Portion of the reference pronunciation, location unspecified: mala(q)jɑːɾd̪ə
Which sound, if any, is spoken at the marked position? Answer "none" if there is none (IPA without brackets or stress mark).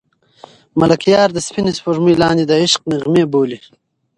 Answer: k